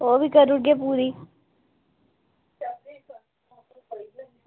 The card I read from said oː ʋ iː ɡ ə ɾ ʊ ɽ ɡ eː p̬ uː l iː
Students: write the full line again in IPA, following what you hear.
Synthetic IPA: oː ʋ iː k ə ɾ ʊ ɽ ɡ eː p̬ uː ɾ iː